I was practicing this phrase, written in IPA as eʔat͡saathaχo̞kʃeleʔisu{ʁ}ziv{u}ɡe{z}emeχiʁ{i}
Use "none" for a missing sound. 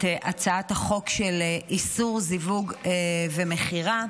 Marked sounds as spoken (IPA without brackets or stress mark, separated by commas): ʁ, u, v, a